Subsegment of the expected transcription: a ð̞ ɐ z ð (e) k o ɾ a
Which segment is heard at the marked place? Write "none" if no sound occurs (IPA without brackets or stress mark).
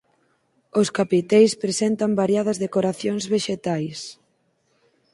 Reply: e